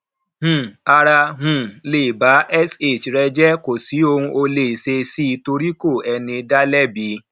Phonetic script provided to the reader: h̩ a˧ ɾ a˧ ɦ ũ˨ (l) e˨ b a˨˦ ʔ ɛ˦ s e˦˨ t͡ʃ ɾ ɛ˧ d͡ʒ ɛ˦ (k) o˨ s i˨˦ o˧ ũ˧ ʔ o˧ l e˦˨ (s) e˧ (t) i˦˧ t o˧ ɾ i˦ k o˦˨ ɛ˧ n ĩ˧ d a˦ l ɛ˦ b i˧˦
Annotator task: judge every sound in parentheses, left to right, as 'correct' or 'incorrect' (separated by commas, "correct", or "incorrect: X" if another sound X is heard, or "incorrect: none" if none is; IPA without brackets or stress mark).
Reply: correct, correct, correct, incorrect: s